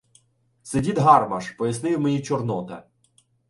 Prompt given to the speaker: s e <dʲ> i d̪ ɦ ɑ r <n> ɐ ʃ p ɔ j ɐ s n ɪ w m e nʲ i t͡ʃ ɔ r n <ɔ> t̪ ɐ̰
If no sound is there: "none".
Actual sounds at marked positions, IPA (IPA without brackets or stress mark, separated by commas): dʲ, m, ɔ